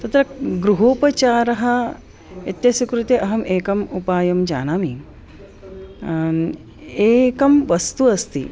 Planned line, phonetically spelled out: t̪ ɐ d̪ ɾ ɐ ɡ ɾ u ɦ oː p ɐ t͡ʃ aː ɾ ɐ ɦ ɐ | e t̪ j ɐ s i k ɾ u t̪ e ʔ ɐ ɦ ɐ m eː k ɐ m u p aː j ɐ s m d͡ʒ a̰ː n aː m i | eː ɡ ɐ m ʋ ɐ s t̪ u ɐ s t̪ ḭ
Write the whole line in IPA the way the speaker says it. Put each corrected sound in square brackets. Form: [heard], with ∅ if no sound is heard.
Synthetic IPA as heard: t̪ ɐ [t̪] ɾ ɐ ɡ ɾ u ɦ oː p ɐ t͡ʃ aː ɾ ɐ ɦ ɐ | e t̪ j ɐ s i k ɾ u t̪ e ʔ ɐ ɦ ɐ m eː k ɐ m u p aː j ɐ [∅] m d͡ʒ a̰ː n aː m i | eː [k] ɐ m ʋ ɐ s t̪ u ɐ s t̪ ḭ